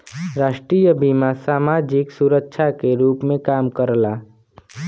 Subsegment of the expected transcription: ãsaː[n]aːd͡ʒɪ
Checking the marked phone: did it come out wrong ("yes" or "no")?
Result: yes